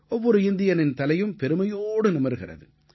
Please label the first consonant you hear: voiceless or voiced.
voiced